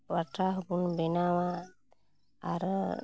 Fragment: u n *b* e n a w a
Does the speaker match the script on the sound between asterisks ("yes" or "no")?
yes